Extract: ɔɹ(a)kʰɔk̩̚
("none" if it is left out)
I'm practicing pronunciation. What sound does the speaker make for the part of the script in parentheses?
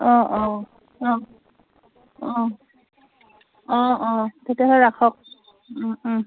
a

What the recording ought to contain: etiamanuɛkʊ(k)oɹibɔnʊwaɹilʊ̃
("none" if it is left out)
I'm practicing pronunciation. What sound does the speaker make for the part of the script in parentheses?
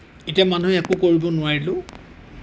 k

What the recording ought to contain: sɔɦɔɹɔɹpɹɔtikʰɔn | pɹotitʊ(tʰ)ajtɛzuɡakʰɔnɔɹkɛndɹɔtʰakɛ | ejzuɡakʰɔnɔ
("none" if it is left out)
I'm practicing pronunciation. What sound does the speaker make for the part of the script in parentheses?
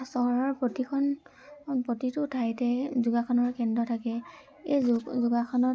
tʰ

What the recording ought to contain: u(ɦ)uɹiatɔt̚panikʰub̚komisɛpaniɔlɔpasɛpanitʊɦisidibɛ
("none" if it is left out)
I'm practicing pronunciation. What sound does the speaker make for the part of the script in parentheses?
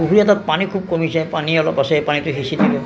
ɦ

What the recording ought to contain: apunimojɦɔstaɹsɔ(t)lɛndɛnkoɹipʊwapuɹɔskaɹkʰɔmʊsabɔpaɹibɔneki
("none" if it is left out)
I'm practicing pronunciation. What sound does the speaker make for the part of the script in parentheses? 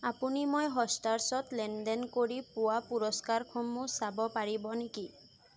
t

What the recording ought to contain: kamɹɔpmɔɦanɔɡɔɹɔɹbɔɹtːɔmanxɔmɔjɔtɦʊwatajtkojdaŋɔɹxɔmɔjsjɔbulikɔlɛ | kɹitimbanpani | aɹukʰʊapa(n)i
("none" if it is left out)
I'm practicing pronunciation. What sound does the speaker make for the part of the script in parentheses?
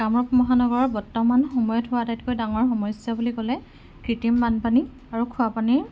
n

